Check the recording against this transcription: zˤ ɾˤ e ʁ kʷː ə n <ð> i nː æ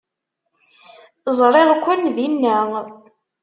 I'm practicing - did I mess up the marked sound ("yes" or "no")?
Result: no